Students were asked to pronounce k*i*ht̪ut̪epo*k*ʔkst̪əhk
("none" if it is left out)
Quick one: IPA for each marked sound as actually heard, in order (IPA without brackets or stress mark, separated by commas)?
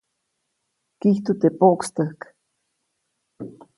i, none